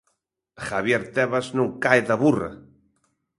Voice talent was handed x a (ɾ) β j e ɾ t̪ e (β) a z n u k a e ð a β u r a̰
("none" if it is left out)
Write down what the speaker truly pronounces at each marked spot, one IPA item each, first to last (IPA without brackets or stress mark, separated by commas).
none, β